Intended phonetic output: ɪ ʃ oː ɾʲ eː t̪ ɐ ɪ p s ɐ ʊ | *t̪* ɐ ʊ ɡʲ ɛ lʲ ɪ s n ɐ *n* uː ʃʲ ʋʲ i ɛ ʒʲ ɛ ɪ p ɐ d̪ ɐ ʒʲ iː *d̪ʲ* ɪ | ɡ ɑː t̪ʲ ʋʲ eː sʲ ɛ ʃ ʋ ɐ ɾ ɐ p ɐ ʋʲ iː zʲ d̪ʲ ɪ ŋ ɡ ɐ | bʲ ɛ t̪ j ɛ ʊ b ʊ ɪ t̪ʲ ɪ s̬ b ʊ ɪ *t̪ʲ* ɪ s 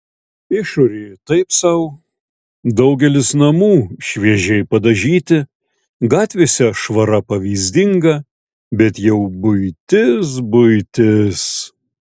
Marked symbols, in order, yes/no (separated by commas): no, no, no, yes